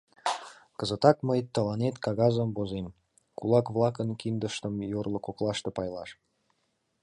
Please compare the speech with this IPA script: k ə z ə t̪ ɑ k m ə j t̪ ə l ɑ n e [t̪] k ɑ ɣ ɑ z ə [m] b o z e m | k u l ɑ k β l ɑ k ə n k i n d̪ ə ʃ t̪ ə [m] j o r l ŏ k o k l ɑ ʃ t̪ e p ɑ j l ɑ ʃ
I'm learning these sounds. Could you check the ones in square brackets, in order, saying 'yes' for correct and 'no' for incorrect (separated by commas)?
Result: yes, yes, yes